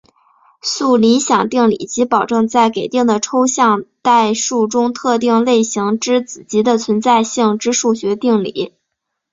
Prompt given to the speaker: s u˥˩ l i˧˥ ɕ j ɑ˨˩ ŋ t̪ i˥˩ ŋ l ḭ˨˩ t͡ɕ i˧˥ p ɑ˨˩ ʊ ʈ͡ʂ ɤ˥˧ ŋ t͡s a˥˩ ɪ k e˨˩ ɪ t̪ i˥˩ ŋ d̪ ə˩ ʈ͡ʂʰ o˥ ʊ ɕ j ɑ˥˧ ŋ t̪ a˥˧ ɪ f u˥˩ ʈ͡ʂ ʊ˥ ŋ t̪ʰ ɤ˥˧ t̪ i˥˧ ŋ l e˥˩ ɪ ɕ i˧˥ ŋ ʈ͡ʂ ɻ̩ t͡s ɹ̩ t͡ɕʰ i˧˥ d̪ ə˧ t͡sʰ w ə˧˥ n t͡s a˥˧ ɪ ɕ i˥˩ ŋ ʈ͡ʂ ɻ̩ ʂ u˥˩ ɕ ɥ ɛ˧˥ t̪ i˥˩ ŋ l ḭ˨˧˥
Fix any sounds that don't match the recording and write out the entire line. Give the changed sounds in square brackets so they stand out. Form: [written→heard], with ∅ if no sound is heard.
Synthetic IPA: s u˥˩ l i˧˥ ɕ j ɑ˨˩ ŋ t̪ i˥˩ ŋ l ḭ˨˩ t͡ɕ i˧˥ p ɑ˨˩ ʊ ʈ͡ʂ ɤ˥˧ ŋ t͡s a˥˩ ɪ k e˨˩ ɪ t̪ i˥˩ ŋ d̪ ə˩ ʈ͡ʂʰ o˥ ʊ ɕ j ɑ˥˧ ŋ t̪ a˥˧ ɪ [f→ʂ] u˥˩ ʈ͡ʂ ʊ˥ ŋ t̪ʰ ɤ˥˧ t̪ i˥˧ ŋ l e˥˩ ɪ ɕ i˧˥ ŋ ʈ͡ʂ ɻ̩ t͡s ɹ̩ [t͡ɕʰ→t͡ɕ] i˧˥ d̪ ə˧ t͡sʰ w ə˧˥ n t͡s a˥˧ ɪ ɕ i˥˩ ŋ ʈ͡ʂ ɻ̩ ʂ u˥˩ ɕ ɥ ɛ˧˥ t̪ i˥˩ ŋ l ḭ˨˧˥